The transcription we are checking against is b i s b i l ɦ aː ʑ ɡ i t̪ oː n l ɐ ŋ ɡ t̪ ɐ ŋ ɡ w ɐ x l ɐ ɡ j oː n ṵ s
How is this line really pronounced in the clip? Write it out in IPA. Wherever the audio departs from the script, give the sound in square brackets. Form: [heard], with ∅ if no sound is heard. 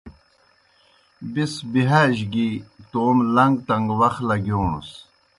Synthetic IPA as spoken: b i s b i [∅] ɦ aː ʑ ɡ i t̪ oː [m] l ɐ ŋ ɡ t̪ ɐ ŋ ɡ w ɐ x l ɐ ɡ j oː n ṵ s